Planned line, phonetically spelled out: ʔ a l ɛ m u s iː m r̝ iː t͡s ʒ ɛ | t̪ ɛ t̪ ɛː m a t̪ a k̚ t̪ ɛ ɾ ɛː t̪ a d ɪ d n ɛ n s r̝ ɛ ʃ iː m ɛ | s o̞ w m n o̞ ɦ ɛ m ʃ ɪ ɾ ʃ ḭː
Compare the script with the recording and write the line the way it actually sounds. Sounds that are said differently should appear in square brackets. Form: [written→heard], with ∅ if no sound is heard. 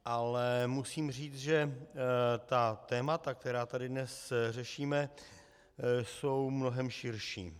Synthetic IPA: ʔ a l ɛ m u s iː m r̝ iː t͡s ʒ ɛ | t̪ [ɛ→a] t̪ ɛː m a t̪ a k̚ t̪ ɛ ɾ [ɛː→aː] t̪ a d ɪ d n ɛ [n→∅] s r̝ ɛ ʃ iː m ɛ | s o̞ w m n o̞ ɦ ɛ m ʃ ɪ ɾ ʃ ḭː

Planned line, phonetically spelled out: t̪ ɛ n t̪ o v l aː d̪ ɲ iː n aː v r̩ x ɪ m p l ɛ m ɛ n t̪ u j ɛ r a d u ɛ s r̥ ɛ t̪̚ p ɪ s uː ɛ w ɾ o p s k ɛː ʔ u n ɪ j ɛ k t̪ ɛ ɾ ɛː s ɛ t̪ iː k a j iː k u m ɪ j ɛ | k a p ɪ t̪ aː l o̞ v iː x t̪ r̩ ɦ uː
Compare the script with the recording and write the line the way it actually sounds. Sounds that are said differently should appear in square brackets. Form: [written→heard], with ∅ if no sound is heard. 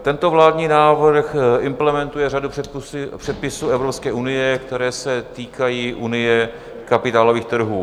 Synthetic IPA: t̪ ɛ n t̪ o v l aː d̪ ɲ iː n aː v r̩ x ɪ m p l ɛ m ɛ n t̪ u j ɛ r a d u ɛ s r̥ ɛ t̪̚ p ɪ s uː ɛ [w→v] ɾ o p s k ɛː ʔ u n ɪ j ɛ k t̪ ɛ ɾ ɛː s ɛ t̪ iː k a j iː [k→ʔ] u [m→n] ɪ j ɛ | k a p ɪ t̪ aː l o̞ v iː x t̪ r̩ ɦ uː

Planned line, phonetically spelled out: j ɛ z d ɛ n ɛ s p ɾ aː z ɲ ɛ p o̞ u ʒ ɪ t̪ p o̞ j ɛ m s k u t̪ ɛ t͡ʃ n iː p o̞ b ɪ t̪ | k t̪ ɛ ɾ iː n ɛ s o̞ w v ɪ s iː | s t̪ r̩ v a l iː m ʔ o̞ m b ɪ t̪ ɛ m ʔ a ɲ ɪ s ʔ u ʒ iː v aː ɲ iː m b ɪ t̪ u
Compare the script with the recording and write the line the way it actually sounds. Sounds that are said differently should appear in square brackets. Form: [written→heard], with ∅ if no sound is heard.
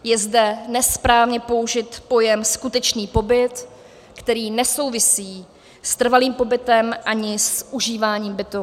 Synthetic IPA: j ɛ z d ɛ n ɛ s p ɾ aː [z→v] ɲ ɛ p o̞ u ʒ ɪ t̪ p o̞ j ɛ m s k u t̪ ɛ t͡ʃ n iː p o̞ b ɪ t̪ | k t̪ ɛ ɾ iː n ɛ s o̞ w v ɪ s iː | s t̪ r̩ v a l iː m [ʔ→p] o̞ [m→∅] b ɪ t̪ ɛ m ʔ a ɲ ɪ s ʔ u ʒ iː v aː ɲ iː m b ɪ t̪ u

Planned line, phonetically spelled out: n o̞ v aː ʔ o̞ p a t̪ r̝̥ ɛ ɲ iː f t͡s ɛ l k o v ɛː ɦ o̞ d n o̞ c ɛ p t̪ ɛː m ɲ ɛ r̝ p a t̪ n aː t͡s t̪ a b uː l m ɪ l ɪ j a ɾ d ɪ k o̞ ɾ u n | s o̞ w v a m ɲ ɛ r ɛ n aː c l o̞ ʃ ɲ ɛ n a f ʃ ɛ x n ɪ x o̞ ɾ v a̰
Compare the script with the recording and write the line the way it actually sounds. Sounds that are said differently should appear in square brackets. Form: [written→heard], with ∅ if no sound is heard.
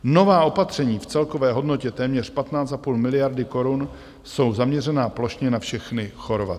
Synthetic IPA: n o̞ v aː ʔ o̞ p a t̪ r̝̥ ɛ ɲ iː f t͡s ɛ l k o v ɛː ɦ o̞ d n o̞ c ɛ [p→∅] t̪ ɛː m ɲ ɛ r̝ p a t̪ n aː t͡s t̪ a [b→p] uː l m ɪ l ɪ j a ɾ d ɪ k o̞ ɾ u n | s o̞ w [v→z] a m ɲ ɛ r ɛ n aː [c→p] l o̞ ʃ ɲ ɛ n a f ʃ ɛ x n ɪ x o̞ ɾ v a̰

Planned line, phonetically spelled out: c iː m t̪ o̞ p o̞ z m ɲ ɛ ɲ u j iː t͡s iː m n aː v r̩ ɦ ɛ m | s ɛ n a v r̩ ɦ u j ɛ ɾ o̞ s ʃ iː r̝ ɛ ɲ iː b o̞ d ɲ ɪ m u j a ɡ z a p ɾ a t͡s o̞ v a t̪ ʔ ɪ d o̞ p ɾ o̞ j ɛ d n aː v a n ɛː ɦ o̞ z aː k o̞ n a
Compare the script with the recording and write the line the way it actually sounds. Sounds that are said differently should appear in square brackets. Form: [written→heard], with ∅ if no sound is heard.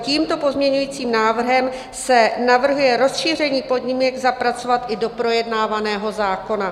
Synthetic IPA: c iː m t̪ o̞ p o̞ z m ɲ ɛ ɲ u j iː t͡s iː m n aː v r̩ ɦ ɛ m | s ɛ n a v r̩ ɦ u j ɛ ɾ o̞ s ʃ iː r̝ ɛ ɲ iː [b→p] o̞ d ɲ ɪ m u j a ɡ z a p ɾ a t͡s o̞ v a t̪ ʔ ɪ d o̞ p ɾ o̞ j ɛ d n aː v a n ɛː ɦ o̞ z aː k o̞ n a

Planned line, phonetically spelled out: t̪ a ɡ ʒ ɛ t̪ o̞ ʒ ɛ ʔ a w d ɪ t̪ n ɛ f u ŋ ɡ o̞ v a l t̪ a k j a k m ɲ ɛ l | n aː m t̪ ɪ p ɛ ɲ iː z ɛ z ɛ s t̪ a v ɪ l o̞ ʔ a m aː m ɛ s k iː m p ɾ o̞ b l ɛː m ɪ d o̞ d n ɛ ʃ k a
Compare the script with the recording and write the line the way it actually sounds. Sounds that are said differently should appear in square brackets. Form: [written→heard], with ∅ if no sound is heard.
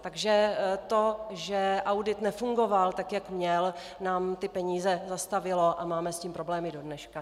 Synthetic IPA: t̪ a ɡ ʒ ɛ t̪ o̞ ʒ ɛ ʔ a w d ɪ t̪ n ɛ f u ŋ ɡ o̞ v a l t̪ a k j a k m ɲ ɛ l | n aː m t̪ ɪ p ɛ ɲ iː z ɛ z [ɛ→a] s t̪ a v ɪ l o̞ ʔ a m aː m ɛ s [k→c] iː m p ɾ o̞ b l ɛː m ɪ d o̞ d n ɛ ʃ k a

